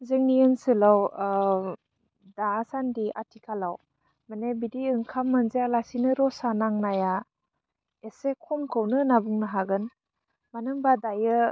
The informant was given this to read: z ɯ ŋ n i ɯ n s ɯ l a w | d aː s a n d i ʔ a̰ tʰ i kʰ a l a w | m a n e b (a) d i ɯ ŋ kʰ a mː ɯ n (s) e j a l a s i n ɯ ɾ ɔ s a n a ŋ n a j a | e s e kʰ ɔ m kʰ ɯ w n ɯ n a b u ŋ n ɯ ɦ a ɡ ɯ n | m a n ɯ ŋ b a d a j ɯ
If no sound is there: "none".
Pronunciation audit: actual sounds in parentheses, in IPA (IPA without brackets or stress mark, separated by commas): i, z